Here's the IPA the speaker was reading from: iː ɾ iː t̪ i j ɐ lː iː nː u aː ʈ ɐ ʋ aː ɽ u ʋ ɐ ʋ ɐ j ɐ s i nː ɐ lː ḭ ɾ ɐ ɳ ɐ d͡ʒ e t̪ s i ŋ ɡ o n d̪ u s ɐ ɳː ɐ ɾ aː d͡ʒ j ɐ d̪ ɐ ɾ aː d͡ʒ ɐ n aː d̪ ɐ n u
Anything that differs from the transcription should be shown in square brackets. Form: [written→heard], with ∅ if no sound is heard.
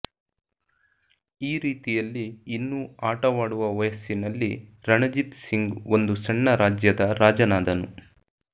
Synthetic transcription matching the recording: iː ɾ iː t̪ i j ɐ lː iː nː u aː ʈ ɐ ʋ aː ɽ u ʋ ɐ ʋ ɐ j ɐ s i [nː→n] ɐ lː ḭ ɾ ɐ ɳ ɐ d͡ʒ [e→i] t̪ s i ŋ ɡ o n d̪ u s ɐ ɳː ɐ ɾ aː d͡ʒ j ɐ d̪ ɐ ɾ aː d͡ʒ ɐ n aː d̪ ɐ n u